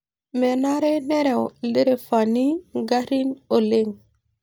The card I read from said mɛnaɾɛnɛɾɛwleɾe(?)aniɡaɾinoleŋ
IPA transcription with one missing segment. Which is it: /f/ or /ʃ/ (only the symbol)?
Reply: f